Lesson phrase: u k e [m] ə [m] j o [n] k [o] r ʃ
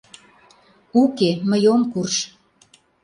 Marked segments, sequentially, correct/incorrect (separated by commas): correct, incorrect, incorrect, incorrect